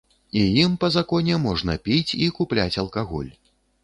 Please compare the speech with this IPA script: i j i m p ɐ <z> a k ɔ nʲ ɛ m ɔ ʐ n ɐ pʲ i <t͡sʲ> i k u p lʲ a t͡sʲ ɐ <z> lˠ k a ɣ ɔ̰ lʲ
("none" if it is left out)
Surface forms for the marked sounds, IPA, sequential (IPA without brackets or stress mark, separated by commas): z, t͡sʲ, none